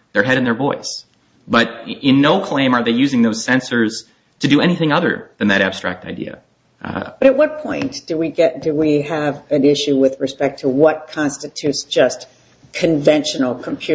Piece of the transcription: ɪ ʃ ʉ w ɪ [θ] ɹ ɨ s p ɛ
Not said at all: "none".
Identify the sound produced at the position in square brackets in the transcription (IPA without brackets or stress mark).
ð